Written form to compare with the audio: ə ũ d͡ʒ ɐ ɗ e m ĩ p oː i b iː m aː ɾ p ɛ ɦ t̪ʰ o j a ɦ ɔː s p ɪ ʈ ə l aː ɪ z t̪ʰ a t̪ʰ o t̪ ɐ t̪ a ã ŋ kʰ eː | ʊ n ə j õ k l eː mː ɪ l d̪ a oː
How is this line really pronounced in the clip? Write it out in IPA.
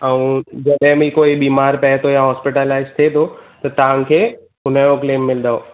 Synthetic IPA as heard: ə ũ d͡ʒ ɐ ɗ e m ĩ k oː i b iː m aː ɾ p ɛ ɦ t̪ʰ o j a ɦ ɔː s p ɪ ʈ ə l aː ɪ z t̪ʰ e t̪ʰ o t̪ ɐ t̪ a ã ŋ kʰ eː | ʊ n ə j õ k l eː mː ɪ l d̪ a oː